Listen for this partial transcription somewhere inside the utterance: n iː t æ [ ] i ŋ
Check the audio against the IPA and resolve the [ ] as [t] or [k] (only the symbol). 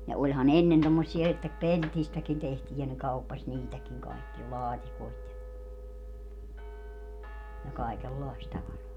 k